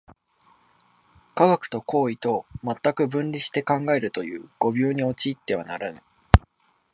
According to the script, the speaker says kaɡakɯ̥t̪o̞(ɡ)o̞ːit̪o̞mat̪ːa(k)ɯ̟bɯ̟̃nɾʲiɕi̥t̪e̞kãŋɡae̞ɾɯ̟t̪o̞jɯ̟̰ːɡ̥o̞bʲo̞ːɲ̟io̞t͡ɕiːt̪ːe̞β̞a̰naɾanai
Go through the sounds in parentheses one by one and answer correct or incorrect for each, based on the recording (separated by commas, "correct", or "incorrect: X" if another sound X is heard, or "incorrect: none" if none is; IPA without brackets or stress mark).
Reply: incorrect: k, correct